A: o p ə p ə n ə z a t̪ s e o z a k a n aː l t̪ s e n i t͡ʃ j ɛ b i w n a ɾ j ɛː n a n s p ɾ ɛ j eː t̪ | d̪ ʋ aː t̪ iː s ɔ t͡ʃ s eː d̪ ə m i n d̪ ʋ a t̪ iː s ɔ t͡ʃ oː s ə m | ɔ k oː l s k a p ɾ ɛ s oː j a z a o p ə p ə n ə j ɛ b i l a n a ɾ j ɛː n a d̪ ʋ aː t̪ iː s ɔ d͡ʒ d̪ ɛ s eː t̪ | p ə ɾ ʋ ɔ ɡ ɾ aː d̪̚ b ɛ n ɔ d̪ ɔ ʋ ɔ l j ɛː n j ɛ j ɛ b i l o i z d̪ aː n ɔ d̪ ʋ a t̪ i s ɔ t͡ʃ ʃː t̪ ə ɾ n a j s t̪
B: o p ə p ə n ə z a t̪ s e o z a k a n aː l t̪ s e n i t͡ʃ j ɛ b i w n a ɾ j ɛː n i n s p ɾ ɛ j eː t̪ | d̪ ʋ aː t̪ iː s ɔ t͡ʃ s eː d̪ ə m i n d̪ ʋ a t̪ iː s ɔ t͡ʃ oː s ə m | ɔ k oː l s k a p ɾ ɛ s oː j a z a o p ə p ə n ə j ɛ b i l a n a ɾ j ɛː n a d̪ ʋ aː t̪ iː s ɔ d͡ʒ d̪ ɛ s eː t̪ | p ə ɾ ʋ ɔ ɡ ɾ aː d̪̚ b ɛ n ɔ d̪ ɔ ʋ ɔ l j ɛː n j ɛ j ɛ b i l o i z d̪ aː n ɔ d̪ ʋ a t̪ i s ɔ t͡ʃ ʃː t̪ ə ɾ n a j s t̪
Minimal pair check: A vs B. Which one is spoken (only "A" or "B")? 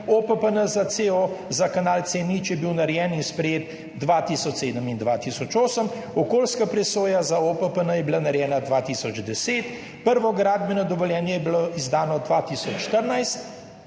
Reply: B